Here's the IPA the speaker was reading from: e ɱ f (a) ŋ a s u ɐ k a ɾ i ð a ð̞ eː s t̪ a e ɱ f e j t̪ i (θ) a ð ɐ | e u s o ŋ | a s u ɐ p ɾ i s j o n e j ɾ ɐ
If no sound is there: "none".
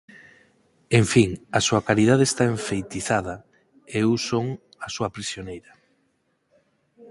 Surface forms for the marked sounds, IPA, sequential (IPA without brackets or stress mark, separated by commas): i, θ